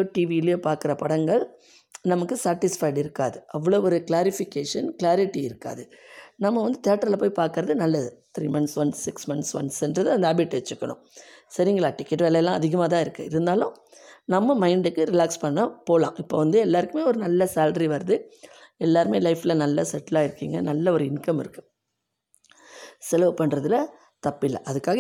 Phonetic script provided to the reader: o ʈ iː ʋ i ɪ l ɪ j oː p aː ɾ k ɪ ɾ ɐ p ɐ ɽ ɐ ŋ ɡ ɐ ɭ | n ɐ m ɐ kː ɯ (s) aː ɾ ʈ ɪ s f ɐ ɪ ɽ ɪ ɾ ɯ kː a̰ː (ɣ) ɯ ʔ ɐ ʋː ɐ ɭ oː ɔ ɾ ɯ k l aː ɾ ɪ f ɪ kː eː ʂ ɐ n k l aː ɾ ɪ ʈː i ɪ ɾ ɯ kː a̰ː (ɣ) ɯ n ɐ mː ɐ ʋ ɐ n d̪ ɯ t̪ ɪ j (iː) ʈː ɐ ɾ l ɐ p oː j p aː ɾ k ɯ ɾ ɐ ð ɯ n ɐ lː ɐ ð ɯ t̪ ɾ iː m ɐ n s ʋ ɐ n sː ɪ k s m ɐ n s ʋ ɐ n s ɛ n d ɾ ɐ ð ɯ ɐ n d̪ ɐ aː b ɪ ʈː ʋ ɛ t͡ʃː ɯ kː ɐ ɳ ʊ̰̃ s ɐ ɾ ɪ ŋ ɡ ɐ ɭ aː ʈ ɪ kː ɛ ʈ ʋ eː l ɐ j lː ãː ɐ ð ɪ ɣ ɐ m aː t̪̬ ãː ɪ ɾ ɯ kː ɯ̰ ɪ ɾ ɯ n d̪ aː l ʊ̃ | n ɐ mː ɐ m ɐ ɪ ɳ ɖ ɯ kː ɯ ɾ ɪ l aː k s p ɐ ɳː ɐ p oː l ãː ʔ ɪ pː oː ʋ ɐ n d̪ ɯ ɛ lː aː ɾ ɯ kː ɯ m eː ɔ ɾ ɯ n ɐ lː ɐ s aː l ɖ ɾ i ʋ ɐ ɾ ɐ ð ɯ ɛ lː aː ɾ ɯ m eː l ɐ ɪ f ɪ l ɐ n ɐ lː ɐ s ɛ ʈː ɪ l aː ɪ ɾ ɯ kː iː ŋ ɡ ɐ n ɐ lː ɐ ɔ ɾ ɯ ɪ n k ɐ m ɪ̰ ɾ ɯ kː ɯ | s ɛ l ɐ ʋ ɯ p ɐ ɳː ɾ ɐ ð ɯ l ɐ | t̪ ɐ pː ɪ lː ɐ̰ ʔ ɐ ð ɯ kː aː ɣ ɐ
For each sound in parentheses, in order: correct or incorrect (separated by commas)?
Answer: correct, incorrect, incorrect, incorrect